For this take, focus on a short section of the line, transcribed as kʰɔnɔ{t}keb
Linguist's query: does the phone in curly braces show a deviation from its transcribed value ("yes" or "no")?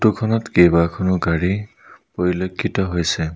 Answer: no